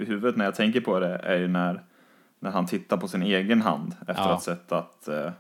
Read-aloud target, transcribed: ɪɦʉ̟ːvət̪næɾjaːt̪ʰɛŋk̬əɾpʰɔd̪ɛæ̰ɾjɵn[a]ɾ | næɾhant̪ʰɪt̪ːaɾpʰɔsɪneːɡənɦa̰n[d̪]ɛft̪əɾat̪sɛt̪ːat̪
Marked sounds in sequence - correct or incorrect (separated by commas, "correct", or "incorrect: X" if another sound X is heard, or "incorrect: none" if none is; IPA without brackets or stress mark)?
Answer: incorrect: æ, correct